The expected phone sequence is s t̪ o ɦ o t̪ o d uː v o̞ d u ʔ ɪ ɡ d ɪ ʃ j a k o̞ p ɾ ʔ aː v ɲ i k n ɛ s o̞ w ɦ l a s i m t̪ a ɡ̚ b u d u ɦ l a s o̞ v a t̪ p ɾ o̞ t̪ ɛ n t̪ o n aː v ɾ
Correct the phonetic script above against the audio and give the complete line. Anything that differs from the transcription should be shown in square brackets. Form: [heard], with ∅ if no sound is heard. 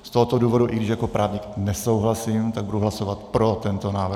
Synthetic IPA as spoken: s t̪ o ɦ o t̪ o d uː v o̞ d u ʔ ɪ ɡ d ɪ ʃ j a k o̞ p ɾ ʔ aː v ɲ i k n ɛ s o̞ w ɦ l a s i m t̪ a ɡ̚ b u d u ɦ l a s o̞ v a t̪ p ɾ o̞ t̪ ɛ n t̪ o n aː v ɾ